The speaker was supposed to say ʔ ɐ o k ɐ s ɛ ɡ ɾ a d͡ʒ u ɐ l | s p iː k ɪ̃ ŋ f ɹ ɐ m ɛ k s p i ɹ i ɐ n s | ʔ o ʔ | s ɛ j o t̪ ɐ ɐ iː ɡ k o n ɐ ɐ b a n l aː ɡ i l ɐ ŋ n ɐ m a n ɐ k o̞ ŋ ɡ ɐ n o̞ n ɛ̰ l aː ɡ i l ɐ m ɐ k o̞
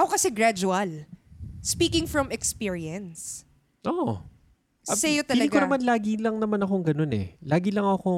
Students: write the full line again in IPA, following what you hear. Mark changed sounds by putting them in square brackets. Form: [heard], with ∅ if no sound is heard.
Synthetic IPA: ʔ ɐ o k ɐ s ɛ ɡ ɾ a d͡ʒ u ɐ l | s p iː k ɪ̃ ŋ f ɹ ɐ m ɛ k s p i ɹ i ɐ n s | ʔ o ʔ | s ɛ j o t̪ ɐ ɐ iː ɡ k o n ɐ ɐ [m] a n l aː ɡ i l ɐ ŋ n ɐ m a n ɐ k o̞ ŋ ɡ ɐ n o̞ n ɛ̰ l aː ɡ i l ɐ [ŋ] ɐ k o̞